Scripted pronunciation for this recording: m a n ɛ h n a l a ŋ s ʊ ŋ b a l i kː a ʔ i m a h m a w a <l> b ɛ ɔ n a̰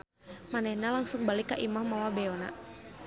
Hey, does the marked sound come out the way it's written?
no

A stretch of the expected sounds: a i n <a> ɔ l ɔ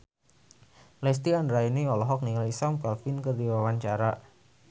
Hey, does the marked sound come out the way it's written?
no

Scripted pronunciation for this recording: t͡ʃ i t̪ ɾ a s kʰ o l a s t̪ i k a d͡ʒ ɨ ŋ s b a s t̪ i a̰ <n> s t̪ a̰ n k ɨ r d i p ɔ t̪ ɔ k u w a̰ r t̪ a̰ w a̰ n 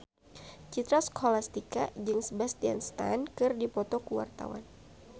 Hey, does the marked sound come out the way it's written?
yes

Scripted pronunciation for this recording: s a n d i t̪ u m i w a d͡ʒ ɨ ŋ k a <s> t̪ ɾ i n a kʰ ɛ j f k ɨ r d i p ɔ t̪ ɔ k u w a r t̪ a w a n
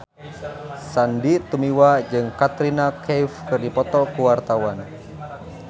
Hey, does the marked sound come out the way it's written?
no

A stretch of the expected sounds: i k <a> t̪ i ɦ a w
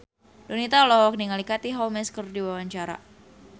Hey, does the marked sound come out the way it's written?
yes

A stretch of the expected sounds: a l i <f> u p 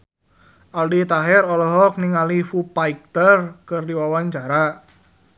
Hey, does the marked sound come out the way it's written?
yes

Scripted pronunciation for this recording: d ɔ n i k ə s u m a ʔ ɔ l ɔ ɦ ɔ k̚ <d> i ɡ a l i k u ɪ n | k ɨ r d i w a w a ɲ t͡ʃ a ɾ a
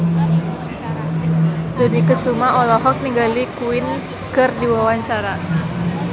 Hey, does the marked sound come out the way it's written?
no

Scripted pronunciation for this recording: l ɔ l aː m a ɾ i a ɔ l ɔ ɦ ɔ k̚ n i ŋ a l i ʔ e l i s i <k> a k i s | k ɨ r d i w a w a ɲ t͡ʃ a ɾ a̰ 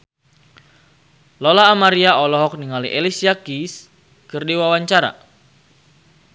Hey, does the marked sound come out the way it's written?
no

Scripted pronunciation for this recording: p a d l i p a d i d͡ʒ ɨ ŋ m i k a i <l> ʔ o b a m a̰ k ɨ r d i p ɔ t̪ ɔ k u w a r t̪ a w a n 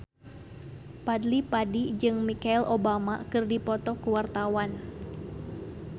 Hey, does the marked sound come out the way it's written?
yes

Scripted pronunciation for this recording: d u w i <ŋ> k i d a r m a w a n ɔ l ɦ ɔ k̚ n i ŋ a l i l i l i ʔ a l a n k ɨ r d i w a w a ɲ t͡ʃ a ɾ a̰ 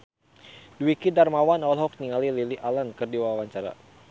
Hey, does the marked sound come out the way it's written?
no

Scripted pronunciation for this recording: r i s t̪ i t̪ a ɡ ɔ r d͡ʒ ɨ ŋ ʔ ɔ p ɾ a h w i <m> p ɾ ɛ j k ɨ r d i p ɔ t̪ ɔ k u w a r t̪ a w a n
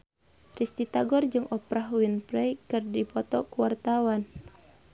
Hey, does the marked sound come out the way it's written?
no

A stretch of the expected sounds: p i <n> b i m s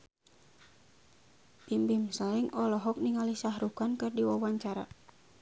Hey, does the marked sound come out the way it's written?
no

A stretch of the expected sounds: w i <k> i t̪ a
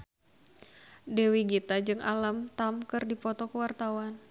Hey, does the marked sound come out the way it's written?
no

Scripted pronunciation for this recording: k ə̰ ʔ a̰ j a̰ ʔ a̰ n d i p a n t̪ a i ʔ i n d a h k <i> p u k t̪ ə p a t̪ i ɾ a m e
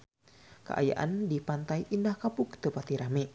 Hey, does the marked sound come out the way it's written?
no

